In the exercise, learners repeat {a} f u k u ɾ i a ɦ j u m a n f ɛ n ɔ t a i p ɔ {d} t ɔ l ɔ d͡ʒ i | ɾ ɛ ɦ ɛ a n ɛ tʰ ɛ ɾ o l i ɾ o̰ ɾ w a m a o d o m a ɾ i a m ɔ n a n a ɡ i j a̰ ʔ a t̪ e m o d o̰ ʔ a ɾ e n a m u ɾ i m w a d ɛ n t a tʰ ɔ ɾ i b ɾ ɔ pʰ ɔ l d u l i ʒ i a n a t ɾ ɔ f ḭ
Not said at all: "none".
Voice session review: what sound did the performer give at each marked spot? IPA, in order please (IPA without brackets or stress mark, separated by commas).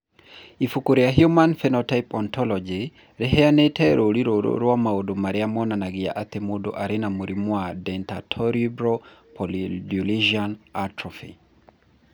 i, n